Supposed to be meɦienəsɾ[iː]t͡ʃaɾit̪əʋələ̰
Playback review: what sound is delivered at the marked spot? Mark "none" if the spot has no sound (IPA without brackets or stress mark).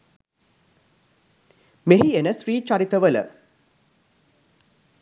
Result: iː